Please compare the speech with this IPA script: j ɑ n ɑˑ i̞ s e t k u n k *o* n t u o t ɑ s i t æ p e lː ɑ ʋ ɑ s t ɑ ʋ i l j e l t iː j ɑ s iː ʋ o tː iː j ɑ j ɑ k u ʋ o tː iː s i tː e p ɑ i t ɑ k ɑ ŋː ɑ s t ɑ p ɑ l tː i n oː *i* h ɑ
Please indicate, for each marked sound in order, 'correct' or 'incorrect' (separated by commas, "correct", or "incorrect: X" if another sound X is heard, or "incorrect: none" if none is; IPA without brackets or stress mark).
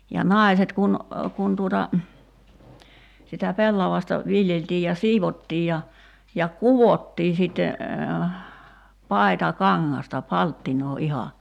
incorrect: u, correct